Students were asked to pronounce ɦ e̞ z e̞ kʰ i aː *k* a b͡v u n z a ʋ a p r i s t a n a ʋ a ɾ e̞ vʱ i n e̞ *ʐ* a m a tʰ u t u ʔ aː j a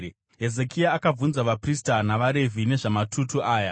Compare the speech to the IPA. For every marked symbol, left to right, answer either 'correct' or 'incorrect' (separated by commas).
correct, correct